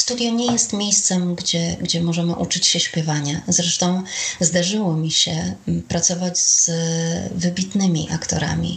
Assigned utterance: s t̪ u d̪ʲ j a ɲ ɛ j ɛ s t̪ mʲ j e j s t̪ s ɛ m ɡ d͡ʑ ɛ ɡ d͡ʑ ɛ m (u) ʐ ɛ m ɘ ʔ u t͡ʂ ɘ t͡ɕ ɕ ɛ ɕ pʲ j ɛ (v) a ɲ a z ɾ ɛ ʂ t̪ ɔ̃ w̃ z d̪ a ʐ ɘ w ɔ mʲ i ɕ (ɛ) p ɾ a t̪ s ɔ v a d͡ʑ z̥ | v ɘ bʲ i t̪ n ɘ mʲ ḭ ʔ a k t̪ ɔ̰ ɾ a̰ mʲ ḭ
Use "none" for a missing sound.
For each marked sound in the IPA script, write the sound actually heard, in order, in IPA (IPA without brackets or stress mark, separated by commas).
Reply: ɔ, v, ɛ